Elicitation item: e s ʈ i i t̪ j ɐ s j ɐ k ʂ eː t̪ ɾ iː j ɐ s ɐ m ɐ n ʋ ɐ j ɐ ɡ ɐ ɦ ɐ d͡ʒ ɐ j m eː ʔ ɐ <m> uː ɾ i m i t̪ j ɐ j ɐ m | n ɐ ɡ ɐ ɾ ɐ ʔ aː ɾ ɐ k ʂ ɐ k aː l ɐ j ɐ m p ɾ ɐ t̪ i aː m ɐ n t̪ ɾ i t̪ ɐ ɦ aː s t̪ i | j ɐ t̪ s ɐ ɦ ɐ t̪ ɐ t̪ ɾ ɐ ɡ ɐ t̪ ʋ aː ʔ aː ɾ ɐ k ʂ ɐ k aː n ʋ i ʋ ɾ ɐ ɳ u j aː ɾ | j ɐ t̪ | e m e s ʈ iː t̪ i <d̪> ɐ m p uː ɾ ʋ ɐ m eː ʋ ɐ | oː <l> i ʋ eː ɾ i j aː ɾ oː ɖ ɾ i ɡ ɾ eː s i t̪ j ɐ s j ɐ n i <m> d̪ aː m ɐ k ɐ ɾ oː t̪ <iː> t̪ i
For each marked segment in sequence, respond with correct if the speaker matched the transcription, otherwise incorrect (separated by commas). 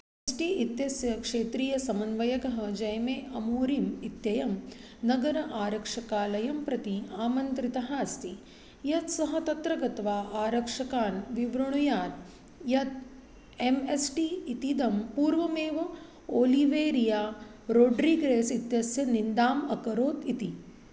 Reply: correct, correct, correct, incorrect, incorrect